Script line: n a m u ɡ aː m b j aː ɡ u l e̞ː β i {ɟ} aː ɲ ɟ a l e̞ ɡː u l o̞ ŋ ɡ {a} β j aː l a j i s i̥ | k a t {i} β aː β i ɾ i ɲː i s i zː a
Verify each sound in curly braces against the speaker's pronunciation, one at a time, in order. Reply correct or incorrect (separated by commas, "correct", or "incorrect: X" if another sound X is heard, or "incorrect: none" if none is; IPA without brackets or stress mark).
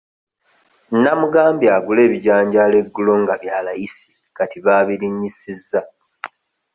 correct, correct, correct